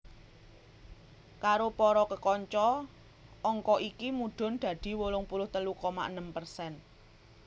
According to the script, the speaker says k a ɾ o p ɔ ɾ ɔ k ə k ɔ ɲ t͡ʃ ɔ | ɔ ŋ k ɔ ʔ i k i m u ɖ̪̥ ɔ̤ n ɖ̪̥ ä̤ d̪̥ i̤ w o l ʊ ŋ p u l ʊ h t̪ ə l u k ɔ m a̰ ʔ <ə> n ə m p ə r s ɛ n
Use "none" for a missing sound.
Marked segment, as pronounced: ə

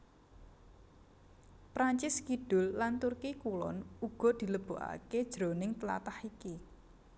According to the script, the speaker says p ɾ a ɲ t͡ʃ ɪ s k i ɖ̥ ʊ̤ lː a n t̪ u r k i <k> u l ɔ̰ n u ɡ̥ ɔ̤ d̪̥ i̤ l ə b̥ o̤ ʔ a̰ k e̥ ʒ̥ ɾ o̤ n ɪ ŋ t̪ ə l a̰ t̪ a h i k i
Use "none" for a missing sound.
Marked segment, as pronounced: k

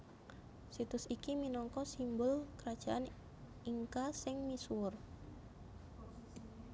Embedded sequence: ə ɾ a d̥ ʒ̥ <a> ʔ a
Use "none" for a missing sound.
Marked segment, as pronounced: a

